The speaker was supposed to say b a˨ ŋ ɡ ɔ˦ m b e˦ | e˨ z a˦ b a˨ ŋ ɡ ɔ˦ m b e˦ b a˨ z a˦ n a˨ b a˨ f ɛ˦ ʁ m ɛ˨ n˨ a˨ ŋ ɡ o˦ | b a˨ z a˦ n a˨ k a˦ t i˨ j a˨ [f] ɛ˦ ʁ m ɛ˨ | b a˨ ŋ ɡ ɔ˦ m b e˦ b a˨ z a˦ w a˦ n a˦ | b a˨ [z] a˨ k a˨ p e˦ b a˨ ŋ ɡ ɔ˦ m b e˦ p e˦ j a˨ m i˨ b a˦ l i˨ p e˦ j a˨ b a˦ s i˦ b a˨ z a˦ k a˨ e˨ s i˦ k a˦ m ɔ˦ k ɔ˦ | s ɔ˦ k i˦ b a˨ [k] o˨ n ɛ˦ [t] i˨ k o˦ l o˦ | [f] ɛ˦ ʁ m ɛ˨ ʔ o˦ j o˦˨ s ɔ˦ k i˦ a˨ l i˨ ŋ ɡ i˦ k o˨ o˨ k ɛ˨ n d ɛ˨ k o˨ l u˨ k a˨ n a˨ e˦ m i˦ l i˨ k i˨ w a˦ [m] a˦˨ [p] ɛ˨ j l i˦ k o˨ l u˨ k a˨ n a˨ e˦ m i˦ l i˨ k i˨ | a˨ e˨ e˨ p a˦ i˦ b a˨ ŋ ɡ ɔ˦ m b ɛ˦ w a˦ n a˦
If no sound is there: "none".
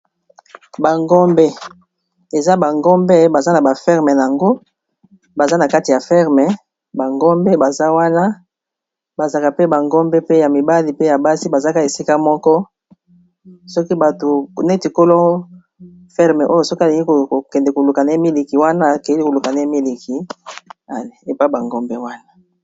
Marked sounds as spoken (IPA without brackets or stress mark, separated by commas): f, z, t, t, f, n, k